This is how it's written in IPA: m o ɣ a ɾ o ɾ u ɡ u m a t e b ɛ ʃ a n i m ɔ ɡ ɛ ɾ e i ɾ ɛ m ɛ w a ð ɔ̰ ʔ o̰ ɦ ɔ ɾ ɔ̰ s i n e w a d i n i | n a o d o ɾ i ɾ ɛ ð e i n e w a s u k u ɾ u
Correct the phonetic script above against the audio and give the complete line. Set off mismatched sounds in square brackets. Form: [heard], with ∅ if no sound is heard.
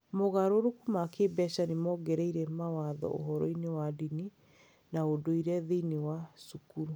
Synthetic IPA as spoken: m o ɣ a ɾ o ɾ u [k] u m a [k] e b ɛ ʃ a n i m ɔ ɡ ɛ ɾ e i ɾ ɛ m [a] w a ð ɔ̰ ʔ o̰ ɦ ɔ ɾ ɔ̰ [∅] i n e w a d i n i | n a o d o [∅] i ɾ ɛ ð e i n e w a s u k u ɾ u